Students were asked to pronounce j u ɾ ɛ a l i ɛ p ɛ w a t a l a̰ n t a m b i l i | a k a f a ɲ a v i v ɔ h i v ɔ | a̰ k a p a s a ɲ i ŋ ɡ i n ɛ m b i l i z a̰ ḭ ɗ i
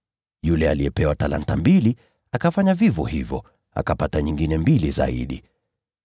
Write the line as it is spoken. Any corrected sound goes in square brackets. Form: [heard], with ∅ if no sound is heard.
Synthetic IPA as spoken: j u [l] ɛ a l i ɛ p ɛ w a t a l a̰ n t a m b i l i | a k a f a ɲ a v i v ɔ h i v ɔ | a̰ k a p a [t] a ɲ i ŋ ɡ i n ɛ m b i l i z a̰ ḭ ɗ i